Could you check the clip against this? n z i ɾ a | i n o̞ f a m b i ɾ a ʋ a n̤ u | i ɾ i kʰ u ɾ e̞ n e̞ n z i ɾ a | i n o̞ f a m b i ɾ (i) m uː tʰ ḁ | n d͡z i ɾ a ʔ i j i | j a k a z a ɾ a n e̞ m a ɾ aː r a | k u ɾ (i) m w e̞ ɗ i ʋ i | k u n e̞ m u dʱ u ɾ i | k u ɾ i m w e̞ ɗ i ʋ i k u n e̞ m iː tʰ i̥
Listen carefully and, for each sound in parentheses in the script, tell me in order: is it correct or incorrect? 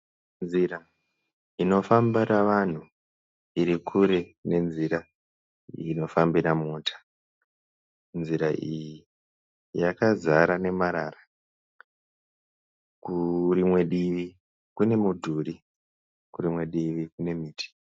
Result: incorrect, correct

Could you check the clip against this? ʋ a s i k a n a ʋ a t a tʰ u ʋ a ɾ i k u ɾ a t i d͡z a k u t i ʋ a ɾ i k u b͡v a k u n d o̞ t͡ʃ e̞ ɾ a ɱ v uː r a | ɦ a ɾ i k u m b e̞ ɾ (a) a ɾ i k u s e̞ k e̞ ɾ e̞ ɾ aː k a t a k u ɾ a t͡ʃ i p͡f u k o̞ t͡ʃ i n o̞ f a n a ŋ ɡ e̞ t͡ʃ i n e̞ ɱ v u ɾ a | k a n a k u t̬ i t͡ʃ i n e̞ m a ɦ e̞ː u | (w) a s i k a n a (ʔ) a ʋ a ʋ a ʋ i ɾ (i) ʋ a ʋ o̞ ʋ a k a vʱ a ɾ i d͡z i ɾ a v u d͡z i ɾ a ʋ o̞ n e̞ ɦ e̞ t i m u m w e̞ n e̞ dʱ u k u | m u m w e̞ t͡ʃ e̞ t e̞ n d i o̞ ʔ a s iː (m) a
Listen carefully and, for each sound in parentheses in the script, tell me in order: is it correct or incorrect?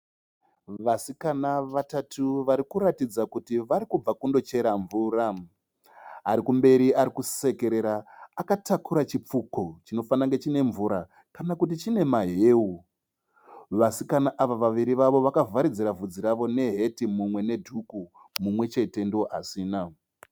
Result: incorrect, incorrect, correct, correct, incorrect

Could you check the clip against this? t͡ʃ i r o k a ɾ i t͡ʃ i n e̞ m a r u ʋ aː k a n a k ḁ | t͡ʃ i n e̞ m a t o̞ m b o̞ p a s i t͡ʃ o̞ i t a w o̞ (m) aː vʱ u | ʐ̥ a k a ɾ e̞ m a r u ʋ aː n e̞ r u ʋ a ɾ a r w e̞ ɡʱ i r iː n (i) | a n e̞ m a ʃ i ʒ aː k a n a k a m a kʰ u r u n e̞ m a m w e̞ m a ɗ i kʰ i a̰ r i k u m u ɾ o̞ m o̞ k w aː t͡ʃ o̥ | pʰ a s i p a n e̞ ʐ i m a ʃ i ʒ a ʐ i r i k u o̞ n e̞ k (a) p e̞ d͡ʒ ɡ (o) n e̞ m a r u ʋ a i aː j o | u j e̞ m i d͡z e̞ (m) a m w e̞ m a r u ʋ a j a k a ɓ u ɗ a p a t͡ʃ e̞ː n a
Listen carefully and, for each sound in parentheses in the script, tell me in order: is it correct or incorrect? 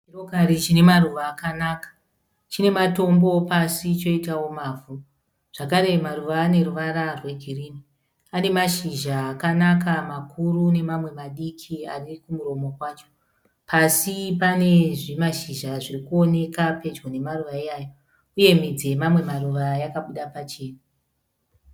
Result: correct, correct, correct, correct, correct

